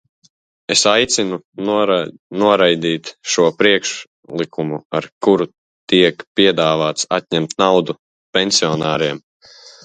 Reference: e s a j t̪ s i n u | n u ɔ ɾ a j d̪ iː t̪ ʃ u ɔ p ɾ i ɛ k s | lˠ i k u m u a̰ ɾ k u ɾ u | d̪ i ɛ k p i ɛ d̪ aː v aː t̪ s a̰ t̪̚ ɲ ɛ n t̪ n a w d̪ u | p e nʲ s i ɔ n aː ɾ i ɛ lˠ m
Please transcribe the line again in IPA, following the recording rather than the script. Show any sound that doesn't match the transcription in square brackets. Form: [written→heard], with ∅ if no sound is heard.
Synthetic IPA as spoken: e s a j t̪ s i n u | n u ɔ ɾ a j d̪ iː t̪ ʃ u ɔ p ɾ i ɛ k [s→ʃ] | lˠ i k u m u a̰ ɾ k u ɾ u | [d̪→t̪] i ɛ k p i ɛ d̪ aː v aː t̪ s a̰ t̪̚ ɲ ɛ [n→m] t̪ n a w d̪ u | p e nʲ s i ɔ n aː ɾ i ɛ [lˠ→∅] m